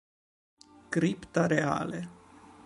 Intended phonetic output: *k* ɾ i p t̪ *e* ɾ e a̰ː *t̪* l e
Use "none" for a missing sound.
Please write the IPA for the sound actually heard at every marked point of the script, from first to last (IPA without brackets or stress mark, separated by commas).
k, a, none